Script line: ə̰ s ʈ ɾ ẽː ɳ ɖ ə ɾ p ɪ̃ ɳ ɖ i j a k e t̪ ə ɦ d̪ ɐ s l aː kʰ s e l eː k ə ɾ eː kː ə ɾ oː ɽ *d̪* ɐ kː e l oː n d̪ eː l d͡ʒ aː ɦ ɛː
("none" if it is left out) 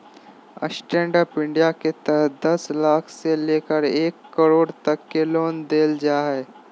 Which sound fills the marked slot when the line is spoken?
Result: t̪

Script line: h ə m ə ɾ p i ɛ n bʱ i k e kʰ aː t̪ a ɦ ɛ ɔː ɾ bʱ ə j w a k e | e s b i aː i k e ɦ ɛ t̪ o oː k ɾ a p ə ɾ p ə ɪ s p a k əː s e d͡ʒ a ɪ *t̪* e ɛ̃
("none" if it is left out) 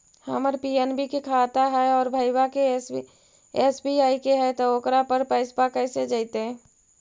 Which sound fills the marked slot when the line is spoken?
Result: t̪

